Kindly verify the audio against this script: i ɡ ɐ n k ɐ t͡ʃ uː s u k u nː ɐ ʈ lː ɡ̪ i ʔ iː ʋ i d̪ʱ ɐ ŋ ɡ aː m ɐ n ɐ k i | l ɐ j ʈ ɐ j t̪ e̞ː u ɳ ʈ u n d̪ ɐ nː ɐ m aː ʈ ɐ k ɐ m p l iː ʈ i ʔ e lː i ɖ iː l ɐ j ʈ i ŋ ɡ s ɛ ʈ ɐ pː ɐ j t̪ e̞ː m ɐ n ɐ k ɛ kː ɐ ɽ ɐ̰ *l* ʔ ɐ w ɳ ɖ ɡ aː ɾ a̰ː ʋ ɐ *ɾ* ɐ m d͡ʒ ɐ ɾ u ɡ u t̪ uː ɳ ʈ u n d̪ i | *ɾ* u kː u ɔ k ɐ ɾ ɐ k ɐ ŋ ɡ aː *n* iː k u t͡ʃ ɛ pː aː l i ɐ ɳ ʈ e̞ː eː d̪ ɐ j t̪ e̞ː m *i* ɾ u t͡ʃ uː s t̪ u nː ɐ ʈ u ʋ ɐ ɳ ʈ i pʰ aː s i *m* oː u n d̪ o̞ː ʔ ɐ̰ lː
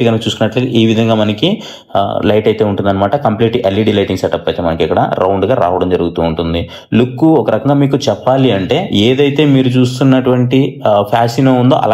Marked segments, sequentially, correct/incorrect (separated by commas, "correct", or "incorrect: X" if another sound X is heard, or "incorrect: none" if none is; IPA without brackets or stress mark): incorrect: ɾ, incorrect: ɽ, incorrect: l, incorrect: m, incorrect: iː, incorrect: n